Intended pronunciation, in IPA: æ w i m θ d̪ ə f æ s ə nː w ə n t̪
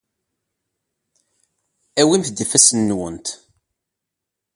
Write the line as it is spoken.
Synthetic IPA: æ w i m θ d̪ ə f æ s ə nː w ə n t̪